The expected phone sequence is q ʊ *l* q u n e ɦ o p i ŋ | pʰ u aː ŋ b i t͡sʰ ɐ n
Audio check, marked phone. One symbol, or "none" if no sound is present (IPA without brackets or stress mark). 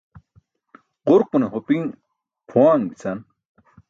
ɾ